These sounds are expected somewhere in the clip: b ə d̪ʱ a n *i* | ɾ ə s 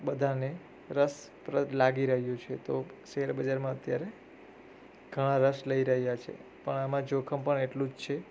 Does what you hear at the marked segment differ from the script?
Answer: yes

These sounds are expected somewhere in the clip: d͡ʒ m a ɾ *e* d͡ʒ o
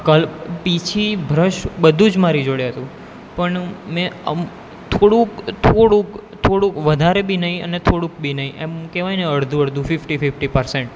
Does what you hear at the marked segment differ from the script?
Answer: yes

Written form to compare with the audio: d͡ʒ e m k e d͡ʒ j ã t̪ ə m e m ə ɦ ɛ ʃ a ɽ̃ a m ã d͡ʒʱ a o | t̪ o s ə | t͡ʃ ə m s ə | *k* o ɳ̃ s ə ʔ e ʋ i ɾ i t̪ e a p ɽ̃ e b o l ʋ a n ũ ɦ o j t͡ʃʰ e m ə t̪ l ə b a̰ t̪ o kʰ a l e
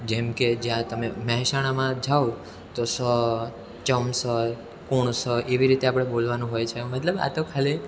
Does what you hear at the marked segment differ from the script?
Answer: no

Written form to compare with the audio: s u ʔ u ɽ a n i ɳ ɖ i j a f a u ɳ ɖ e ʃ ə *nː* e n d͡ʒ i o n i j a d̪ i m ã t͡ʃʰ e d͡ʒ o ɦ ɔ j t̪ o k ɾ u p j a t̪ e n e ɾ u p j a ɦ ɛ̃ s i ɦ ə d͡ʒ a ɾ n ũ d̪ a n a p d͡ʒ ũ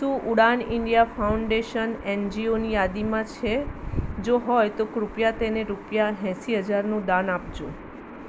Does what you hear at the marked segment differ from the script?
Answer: yes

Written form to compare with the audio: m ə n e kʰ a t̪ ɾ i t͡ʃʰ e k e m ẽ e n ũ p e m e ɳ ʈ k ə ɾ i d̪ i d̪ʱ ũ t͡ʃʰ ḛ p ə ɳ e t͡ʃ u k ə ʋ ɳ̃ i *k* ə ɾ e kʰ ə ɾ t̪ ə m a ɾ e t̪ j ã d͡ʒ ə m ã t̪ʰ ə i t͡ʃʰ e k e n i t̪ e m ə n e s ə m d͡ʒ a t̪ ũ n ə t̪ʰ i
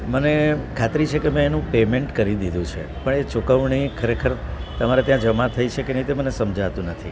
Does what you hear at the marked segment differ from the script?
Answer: yes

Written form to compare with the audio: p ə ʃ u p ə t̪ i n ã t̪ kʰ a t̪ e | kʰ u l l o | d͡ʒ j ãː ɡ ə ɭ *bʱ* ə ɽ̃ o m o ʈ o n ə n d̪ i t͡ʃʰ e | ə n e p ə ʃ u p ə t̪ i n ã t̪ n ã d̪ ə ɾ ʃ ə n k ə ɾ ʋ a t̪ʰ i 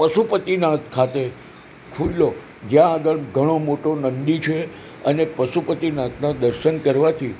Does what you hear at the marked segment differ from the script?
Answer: yes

